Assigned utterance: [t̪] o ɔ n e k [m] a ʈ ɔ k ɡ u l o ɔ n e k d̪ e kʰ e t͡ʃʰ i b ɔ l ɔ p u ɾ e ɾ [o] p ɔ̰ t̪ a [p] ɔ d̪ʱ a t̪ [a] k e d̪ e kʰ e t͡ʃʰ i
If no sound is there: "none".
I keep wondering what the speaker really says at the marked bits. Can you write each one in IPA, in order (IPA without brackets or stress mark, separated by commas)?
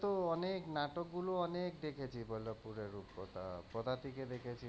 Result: t̪, n, u, p, i